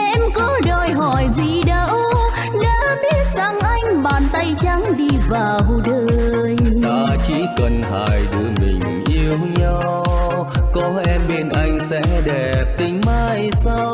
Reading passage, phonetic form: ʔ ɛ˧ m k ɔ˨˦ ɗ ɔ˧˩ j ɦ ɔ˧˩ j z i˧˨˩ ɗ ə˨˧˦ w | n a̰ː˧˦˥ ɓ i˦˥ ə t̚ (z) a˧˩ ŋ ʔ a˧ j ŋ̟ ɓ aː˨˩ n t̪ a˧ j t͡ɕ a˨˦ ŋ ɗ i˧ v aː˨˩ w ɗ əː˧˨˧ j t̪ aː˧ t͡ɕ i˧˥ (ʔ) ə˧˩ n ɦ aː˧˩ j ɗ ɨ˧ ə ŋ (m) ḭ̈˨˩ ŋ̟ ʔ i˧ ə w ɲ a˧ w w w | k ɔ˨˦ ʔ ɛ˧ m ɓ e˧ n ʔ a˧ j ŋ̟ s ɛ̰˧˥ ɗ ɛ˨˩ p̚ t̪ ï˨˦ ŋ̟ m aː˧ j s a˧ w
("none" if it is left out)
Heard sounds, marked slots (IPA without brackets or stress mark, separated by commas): z, k, m